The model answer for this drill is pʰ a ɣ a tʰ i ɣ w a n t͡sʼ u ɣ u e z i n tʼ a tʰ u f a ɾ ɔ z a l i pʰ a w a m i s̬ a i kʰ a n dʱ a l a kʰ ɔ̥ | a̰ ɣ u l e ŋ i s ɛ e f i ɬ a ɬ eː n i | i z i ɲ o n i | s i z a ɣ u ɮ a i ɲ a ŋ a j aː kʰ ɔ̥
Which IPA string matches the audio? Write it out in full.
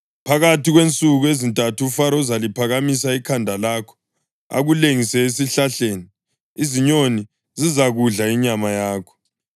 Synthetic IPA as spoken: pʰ a ɣ a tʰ i ɣ w e n t͡sʼ u ɣ u e z i n tʼ a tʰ u f a ɾ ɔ z a l i pʰ a ɣ a m i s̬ a i kʰ a n dʱ a l a kʰ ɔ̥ | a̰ ɣ u l e ŋ i s ɛ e s i ɬ a ɬ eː n i | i z i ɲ o n i | z i z a ɣ u ɮ a i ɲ a m a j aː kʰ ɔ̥